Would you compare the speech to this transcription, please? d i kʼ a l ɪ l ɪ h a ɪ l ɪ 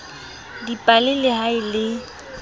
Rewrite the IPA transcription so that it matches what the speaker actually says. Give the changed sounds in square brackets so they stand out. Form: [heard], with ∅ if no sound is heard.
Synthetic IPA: d i [pʼ] a l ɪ l ɪ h a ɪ l ɪ